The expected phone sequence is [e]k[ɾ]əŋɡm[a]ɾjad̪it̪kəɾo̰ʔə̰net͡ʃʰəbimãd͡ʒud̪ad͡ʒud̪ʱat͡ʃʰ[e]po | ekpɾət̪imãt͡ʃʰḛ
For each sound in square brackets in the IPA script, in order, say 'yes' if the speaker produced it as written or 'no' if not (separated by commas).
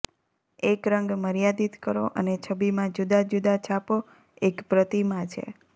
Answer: yes, yes, no, no